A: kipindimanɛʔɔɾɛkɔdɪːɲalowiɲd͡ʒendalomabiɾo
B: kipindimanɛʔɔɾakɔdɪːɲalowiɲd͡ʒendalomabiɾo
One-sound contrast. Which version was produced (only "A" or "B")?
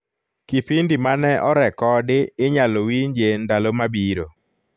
A